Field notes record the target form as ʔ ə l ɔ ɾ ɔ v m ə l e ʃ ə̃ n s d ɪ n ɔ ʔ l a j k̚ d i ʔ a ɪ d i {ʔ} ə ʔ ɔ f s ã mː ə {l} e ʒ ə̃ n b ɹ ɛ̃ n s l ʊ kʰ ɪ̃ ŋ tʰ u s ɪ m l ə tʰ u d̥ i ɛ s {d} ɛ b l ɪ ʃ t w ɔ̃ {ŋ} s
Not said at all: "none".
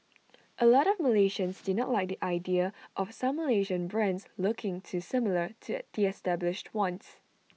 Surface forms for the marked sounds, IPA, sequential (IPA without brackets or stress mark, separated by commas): none, l, t, n